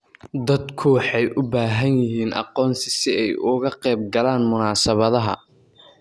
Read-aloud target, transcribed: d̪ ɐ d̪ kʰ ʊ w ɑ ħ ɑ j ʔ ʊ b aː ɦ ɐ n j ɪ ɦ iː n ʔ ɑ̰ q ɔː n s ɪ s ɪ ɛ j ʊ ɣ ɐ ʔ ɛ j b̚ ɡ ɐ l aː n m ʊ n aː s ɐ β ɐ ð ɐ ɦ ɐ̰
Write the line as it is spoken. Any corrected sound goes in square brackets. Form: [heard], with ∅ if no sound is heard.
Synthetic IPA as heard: d̪ ɐ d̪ kʰ ʊ w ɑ ħ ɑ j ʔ ʊ b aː ɦ ɐ n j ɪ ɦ iː n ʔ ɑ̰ q ɔː n s ɪ s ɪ ɛ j ʊ ɣ ɐ [q] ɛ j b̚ ɡ ɐ l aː n m ʊ n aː s ɐ β ɐ ð ɐ ɦ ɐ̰